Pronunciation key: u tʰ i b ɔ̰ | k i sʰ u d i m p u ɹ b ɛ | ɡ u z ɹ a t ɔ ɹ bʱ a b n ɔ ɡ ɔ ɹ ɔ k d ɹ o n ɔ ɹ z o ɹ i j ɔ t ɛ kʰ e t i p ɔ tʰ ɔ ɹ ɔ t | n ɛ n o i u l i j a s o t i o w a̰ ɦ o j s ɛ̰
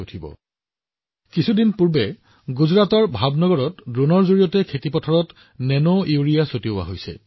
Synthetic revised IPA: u tʰ i b ɔ̰ | k i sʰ u d i n p u ɹ b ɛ | ɡ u z ɹ a t ɔ ɹ bʱ a b n ɔ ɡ ɔ ɹ ɔ t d ɹ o n ɔ ɹ z o ɹ i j ɔ t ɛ kʰ e t i p ɔ tʰ ɔ ɹ ɔ t | n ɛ n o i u ɹ i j a s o t i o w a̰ ɦ o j s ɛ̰